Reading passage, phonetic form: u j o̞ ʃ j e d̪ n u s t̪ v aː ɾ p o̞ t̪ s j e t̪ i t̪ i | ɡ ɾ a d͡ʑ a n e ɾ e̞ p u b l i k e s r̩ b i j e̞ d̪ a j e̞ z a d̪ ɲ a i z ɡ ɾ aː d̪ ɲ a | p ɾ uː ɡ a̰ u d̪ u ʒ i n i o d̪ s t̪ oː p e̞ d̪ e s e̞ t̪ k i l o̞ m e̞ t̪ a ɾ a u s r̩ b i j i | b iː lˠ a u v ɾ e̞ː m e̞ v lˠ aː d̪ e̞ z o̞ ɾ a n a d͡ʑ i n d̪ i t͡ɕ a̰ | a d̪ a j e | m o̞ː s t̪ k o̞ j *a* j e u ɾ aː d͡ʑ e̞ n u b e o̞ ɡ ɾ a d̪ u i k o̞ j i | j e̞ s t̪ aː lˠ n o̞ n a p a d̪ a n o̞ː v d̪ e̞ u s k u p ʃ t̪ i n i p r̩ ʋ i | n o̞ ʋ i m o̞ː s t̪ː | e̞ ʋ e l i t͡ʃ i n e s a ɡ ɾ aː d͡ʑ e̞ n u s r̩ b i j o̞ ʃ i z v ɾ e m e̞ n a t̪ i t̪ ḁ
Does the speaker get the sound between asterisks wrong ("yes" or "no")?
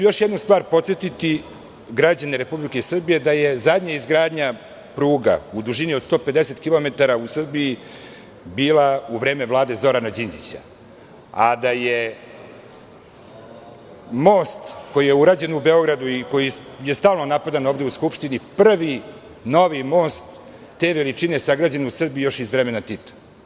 yes